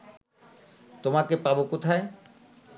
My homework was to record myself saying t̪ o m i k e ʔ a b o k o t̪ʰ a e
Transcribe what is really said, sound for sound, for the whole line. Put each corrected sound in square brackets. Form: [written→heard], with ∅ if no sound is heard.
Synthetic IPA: t̪ o m [i→a] k e [ʔ→p] a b o k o t̪ʰ a e